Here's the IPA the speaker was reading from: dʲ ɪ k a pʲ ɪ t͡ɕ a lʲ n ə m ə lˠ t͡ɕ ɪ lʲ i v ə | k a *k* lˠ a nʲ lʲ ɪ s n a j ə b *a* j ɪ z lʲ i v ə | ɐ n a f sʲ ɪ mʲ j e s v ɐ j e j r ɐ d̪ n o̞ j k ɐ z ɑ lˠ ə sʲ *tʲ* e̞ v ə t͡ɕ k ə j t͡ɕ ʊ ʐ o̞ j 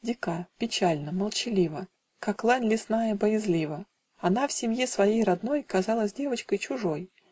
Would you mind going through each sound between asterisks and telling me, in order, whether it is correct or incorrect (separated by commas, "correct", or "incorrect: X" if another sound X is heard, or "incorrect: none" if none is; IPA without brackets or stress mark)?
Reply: correct, incorrect: ə, incorrect: dʲ